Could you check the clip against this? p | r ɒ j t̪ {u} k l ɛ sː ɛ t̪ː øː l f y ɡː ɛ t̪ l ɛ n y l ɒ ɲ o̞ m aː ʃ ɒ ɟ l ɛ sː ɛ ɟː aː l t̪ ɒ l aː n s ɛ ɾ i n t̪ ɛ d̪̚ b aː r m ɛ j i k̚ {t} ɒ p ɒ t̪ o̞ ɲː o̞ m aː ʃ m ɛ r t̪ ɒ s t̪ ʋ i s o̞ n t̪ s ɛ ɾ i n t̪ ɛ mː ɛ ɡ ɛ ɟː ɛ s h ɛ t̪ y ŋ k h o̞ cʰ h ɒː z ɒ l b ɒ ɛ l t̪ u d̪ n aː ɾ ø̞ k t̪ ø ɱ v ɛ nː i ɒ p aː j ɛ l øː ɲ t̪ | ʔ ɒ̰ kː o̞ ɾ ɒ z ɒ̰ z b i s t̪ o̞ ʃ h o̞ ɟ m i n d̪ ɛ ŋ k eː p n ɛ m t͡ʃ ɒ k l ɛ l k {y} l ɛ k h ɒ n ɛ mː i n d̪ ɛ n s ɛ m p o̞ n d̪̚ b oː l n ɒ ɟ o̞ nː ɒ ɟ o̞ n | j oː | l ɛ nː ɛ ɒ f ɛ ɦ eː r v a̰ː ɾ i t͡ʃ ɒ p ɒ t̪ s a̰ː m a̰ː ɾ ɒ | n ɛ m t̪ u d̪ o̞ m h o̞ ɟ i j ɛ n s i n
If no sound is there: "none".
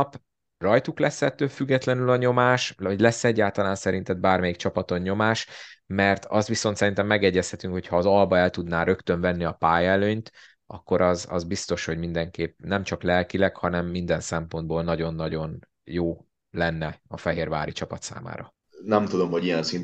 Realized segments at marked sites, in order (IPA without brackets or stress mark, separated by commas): u, t͡ʃ, i